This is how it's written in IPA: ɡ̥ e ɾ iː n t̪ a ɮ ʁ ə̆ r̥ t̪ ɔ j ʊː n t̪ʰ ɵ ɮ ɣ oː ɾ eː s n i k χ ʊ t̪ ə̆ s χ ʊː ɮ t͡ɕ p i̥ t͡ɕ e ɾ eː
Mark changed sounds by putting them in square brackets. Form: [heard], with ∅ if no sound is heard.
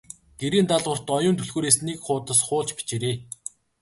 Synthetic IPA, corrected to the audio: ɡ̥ e ɾ iː n t̪ a ɮ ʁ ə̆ r̥ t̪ ɔ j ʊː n t̪ʰ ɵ ɮ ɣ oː ɾ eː s n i k χ [ʊː] t̪ ə̆ s χ ʊː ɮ t͡ɕ p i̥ t͡ɕ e ɾ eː